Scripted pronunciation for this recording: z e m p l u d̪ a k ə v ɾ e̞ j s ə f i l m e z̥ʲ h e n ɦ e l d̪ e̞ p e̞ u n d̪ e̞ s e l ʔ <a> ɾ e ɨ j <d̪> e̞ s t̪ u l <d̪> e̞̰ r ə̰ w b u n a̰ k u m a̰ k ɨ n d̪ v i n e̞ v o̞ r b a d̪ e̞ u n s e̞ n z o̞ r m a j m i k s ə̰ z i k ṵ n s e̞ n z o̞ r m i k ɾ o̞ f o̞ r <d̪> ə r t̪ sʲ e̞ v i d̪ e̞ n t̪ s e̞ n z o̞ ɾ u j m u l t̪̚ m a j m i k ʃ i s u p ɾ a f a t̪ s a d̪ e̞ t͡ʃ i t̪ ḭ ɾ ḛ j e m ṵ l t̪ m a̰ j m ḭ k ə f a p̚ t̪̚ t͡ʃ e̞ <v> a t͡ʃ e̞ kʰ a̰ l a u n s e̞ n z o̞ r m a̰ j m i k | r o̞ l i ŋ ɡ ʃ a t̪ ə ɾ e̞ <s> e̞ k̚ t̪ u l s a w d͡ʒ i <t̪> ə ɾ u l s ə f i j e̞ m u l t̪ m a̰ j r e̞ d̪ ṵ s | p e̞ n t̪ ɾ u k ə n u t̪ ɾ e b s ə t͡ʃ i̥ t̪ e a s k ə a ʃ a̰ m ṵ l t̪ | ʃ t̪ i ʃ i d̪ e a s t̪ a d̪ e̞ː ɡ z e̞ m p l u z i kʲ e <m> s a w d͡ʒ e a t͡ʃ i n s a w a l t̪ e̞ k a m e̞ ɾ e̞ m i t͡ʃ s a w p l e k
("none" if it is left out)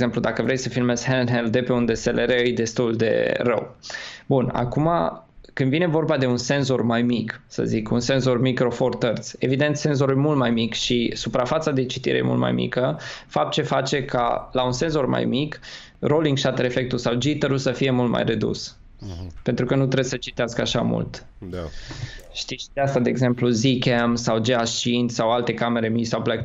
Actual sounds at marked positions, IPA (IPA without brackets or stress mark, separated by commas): e, d̪, d̪, t̪, f, f, t̪, m